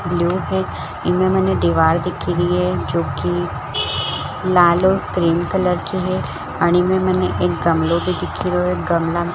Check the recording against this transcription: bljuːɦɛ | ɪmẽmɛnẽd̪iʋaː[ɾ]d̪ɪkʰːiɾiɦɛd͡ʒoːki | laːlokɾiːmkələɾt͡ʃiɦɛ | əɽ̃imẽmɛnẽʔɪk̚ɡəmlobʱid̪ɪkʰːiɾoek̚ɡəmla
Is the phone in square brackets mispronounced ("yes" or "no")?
no